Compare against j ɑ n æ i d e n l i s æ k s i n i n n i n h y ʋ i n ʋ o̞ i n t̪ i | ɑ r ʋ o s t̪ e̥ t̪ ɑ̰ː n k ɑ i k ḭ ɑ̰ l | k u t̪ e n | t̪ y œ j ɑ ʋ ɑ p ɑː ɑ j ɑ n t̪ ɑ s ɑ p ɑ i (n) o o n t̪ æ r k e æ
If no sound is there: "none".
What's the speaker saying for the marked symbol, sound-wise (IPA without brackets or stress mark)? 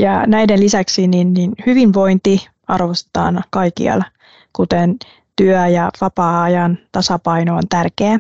n